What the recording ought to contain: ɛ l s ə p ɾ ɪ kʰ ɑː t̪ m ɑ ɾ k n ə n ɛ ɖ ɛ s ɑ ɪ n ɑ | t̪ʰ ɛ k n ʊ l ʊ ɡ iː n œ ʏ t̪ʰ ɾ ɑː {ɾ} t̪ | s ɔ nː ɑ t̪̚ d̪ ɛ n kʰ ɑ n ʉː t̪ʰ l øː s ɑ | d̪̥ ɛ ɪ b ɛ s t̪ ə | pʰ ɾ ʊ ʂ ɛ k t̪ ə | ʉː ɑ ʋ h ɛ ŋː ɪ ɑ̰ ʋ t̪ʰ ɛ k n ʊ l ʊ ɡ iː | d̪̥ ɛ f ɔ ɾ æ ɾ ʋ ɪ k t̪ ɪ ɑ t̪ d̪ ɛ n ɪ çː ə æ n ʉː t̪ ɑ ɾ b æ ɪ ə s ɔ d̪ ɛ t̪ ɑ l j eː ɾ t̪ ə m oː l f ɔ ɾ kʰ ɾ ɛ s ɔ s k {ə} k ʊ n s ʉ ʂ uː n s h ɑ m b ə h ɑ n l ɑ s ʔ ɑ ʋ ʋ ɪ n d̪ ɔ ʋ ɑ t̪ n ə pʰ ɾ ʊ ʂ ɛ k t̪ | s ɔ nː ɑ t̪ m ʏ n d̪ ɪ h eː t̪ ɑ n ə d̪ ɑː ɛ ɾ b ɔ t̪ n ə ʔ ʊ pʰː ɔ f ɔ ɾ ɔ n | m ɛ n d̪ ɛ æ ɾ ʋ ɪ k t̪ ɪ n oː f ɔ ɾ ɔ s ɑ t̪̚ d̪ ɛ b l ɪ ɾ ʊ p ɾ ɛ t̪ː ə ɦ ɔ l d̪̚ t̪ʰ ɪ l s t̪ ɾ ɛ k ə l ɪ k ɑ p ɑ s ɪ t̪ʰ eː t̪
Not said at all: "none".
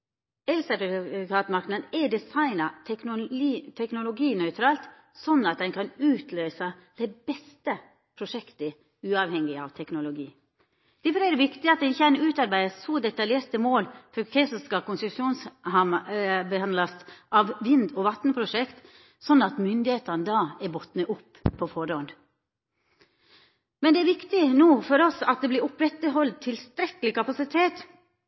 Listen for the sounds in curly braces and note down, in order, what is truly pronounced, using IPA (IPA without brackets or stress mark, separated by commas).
l, ɑ